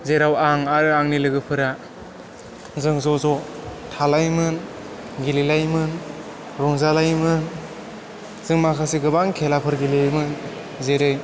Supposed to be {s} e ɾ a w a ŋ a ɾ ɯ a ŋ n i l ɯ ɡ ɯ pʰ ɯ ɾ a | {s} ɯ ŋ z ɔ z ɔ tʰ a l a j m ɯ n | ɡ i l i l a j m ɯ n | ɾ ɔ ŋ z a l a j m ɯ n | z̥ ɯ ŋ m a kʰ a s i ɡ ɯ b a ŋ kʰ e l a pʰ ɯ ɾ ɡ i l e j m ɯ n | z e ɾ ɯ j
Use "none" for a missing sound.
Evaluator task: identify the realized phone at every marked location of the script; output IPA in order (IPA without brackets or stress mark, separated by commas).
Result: z, z